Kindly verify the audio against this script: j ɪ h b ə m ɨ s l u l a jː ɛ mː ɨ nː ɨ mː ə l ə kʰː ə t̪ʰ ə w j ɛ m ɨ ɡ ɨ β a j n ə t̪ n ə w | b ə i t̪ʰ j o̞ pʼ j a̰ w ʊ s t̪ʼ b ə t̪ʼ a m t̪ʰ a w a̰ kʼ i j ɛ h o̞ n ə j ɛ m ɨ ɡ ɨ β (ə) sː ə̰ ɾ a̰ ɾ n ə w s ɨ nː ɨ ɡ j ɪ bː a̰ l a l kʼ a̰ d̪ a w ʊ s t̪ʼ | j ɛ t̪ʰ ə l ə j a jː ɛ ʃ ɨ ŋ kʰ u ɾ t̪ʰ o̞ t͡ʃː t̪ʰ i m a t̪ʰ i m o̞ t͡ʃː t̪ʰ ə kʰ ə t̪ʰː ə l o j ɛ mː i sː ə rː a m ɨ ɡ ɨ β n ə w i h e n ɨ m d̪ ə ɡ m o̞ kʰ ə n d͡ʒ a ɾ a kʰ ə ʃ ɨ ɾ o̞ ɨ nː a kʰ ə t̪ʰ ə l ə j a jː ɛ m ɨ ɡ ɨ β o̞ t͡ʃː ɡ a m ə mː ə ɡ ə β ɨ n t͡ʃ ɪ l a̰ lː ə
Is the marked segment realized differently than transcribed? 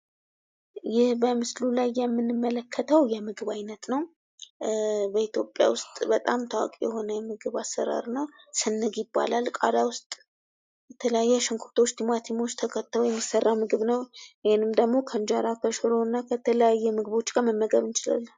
yes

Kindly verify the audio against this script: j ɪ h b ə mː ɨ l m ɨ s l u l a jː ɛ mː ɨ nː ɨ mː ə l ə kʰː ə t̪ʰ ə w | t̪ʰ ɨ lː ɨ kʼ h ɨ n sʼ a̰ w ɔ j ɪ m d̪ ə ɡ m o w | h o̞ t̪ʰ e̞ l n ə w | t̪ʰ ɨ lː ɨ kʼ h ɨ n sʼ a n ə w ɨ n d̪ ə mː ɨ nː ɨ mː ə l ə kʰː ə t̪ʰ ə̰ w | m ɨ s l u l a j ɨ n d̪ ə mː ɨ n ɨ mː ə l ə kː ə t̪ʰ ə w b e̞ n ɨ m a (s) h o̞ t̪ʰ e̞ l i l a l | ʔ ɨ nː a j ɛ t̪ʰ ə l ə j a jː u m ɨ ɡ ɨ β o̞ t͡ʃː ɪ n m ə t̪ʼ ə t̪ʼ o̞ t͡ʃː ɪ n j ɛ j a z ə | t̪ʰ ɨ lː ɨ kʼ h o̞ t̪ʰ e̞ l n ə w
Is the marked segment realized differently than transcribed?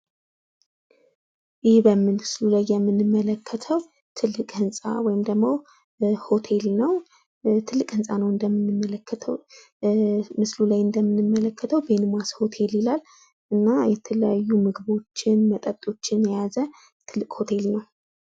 no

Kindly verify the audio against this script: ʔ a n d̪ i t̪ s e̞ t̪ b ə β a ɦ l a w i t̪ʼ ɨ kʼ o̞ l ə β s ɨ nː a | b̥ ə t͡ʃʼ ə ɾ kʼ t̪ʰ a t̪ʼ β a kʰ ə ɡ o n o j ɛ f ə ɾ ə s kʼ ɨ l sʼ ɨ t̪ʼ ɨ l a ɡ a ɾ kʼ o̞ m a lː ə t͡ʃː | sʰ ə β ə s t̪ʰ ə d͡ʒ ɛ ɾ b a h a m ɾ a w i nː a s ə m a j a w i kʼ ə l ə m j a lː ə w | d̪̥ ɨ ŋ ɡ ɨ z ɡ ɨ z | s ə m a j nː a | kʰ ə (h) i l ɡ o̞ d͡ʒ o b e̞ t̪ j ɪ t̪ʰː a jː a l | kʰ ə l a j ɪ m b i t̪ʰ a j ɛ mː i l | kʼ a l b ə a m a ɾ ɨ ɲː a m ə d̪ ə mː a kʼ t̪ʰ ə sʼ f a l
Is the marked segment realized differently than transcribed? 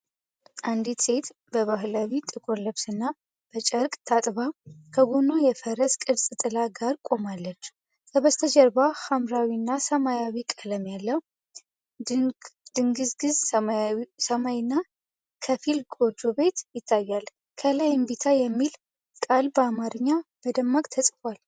yes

